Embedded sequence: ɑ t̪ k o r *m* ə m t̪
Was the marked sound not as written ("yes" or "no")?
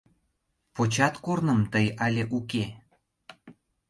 yes